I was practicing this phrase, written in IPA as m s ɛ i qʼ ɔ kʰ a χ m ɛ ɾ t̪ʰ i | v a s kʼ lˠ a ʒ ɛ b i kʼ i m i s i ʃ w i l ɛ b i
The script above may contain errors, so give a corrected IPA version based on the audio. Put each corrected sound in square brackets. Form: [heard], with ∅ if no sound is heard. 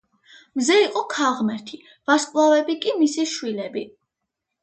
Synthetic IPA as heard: m [z] ɛ i qʼ ɔ kʰ a [ʁ] m ɛ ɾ t̪ʰ i | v a s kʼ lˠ a [v] ɛ b i kʼ i m i s i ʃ w i l ɛ b i